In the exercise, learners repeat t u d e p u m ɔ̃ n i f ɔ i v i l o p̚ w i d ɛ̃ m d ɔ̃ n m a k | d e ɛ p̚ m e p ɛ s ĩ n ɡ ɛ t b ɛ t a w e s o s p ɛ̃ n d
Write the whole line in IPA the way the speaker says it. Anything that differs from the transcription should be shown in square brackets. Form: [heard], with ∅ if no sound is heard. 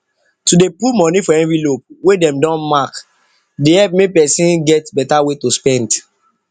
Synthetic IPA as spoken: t u d e p u m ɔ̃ n i f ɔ [ɛ] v i l o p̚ w [e] d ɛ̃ m d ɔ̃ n m a k | d e ɛ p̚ m e p ɛ s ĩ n ɡ ɛ t b ɛ t a w e [t] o s p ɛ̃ n d